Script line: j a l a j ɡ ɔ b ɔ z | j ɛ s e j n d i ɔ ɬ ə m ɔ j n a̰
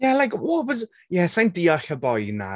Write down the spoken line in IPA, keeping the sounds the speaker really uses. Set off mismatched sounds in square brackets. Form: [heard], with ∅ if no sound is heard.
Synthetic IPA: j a l a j [k] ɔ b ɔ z | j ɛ s [a] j n d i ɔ ɬ ə [b] ɔ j n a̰